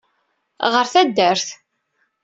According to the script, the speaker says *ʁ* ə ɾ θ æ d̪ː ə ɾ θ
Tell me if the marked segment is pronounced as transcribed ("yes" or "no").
yes